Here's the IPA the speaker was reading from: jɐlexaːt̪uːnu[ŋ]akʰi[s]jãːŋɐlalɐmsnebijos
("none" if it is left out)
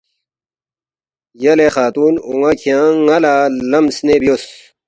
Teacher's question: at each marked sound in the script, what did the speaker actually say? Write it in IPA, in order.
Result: ŋ, none

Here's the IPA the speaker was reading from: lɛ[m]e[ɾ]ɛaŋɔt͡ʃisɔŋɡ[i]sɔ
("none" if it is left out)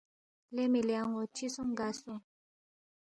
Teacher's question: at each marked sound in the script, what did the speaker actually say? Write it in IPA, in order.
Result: m, l, a

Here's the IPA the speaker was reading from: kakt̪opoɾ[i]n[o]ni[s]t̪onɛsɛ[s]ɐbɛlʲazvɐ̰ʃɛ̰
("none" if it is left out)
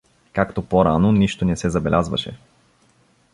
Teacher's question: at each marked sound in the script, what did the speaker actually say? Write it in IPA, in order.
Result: a, o, ʃ, z

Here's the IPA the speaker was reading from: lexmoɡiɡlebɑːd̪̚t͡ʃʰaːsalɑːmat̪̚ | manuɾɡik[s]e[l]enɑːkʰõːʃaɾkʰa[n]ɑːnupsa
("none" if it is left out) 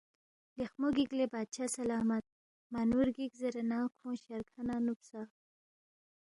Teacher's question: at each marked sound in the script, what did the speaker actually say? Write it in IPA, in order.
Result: z, ɾ, n

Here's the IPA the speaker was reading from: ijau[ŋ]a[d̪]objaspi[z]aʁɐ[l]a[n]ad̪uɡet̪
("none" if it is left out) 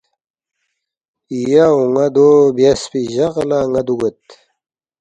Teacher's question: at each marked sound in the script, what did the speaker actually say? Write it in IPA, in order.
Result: ŋ, d̪, ʑ, l, ŋ

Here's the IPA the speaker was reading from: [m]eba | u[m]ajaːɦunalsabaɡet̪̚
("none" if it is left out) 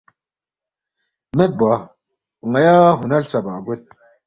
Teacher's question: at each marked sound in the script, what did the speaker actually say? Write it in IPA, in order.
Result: m, ŋ

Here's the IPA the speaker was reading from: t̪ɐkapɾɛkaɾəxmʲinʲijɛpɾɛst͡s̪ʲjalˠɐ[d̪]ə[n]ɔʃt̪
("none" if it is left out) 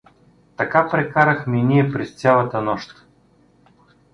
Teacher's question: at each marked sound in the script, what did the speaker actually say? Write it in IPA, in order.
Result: t̪, n

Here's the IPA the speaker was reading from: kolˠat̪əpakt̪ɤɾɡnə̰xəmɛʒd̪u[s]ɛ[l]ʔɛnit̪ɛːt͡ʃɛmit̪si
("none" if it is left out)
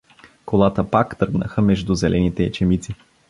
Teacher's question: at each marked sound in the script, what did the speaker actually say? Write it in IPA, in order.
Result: z, l

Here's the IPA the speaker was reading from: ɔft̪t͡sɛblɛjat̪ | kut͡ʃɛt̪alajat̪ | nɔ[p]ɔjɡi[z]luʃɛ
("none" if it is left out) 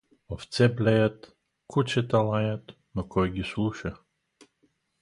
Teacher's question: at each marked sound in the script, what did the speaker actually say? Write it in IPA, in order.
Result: k, s

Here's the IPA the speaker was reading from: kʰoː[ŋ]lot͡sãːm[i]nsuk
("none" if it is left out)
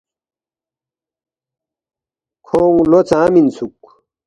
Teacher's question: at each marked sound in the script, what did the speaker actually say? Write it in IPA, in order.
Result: ŋ, i

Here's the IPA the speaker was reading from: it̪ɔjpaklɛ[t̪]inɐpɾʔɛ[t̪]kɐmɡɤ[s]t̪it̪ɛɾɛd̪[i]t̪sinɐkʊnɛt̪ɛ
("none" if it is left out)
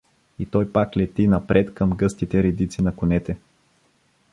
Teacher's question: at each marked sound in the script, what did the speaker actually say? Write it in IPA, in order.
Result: t̪, t̪, s, i

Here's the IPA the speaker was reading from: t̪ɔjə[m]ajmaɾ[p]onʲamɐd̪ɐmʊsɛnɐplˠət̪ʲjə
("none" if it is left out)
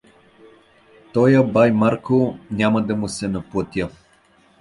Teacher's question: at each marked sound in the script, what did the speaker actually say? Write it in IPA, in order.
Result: b, k

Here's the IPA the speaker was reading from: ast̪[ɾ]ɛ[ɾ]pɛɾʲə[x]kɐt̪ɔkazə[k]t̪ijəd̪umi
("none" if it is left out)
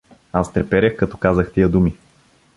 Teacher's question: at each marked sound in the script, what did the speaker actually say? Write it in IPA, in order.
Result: ɾ, none, x, x

